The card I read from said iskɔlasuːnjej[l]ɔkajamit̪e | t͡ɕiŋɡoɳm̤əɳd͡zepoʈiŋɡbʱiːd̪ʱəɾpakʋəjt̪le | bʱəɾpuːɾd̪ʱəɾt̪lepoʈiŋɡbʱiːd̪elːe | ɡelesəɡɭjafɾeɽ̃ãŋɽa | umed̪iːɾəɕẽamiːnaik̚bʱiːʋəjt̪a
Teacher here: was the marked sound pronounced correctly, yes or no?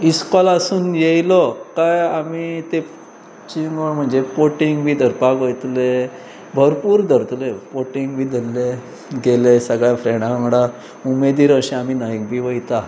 yes